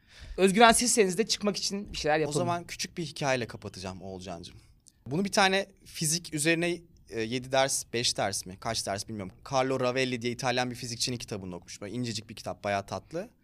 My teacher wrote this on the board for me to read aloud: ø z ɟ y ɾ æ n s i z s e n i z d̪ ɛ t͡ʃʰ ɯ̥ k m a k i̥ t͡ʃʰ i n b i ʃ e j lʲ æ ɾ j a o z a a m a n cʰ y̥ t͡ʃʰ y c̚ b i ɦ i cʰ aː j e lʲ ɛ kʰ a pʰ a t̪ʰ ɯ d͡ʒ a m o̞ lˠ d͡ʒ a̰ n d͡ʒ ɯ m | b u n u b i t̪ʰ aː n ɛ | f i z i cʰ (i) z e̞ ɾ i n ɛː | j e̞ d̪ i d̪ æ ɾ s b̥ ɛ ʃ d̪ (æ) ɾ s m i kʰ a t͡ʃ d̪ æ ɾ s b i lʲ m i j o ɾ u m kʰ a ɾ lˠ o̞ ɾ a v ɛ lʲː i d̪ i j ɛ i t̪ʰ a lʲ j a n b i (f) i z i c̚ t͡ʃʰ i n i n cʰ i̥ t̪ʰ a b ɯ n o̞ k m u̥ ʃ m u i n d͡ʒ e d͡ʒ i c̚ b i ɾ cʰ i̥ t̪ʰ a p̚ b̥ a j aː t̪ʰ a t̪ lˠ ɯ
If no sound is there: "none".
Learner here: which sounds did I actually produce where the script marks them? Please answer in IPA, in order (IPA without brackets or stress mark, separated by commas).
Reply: y, æ, f